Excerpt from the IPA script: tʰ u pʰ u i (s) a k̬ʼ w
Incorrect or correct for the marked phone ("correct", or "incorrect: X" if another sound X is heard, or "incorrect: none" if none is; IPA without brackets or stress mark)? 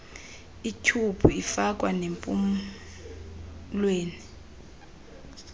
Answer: incorrect: f